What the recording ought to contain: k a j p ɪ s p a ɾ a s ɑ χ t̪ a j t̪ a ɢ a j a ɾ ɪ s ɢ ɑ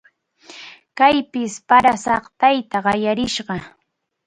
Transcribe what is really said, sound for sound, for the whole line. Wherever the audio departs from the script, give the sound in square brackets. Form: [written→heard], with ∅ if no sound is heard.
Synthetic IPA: k a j p ɪ s p a ɾ a s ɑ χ t̪ a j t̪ a ɢ [a→ɑ] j a ɾ ɪ [s→ʃ] ɢ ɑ